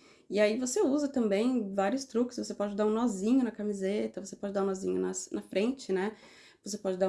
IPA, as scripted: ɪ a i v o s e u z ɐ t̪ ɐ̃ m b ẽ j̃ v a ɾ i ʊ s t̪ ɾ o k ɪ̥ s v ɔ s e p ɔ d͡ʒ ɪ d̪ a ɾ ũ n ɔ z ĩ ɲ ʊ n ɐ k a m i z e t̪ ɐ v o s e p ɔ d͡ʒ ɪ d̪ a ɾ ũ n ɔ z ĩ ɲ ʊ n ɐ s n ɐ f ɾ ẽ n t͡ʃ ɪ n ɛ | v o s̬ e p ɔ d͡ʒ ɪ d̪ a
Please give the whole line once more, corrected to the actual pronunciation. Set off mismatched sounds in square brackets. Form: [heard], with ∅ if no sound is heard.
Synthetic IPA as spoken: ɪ a i v o s e u z ɐ t̪ ɐ̃ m b ẽ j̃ v a ɾ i ʊ s t̪ ɾ [u] k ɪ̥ s v [o] s e p ɔ d͡ʒ ɪ d̪ a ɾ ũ n ɔ z ĩ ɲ ʊ n ɐ k a m i z e t̪ ɐ v o s e p ɔ d͡ʒ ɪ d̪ a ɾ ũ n ɔ z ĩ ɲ ʊ n ɐ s n ɐ f ɾ ẽ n t͡ʃ ɪ n ɛ | v o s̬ e p ɔ d͡ʒ ɪ d̪ a